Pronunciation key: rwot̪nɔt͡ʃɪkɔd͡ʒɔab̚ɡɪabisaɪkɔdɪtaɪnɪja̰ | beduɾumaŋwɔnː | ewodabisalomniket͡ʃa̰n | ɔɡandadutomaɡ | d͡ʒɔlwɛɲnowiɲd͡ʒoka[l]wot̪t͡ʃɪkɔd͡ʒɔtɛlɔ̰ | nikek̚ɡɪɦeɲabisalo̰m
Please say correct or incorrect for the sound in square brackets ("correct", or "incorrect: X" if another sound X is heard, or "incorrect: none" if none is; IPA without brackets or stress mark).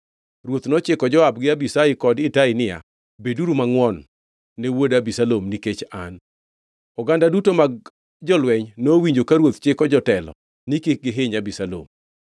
incorrect: ɾ